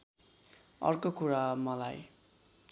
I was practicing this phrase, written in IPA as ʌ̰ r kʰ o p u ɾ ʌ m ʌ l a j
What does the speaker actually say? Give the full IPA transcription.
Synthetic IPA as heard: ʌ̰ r k o k u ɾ a m ʌ l a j